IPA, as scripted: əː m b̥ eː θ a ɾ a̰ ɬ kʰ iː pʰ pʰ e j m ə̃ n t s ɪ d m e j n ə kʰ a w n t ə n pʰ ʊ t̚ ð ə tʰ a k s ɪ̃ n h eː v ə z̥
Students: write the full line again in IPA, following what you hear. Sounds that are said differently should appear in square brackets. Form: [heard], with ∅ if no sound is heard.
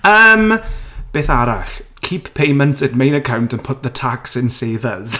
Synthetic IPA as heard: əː m b̥ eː θ a ɾ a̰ ɬ kʰ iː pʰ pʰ e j m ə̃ n t s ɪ d m e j n ə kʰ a w n t ə n pʰ ʊ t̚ ð ə tʰ a k s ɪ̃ n [s] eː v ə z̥